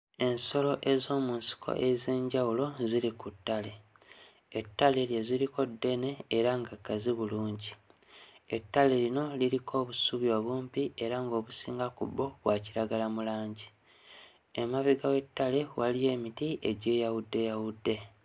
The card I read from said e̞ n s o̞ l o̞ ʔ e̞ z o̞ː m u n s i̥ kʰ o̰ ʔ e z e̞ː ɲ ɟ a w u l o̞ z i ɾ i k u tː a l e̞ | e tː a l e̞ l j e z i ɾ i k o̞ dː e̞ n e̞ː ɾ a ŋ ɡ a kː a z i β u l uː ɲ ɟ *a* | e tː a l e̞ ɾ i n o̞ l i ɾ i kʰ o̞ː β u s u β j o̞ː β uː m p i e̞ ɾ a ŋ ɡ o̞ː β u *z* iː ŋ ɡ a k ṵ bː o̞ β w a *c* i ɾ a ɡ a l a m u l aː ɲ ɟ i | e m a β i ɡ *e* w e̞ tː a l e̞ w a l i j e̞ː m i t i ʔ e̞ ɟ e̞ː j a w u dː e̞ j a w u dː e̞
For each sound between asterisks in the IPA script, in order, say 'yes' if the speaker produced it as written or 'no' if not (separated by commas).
no, no, yes, no